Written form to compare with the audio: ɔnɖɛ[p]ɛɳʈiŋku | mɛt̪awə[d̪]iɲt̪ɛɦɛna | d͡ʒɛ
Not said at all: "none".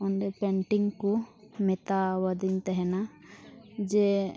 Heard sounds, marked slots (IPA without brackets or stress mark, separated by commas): p, d̪